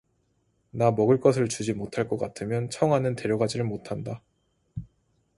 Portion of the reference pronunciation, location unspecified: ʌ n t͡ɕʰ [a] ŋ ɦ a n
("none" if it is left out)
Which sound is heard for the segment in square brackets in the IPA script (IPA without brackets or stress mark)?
ʌ